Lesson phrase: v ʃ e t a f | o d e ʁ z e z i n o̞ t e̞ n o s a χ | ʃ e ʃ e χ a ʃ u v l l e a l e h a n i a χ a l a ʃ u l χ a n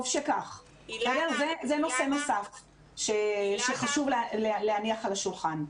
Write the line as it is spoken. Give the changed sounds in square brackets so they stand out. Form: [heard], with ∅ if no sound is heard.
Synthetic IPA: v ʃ e [k] a [χ] | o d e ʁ z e z [e] n o̞ [s] e̞ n o s a [f] | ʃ e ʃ e χ a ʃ u v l l e a l e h a n i a χ a l a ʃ u l χ a n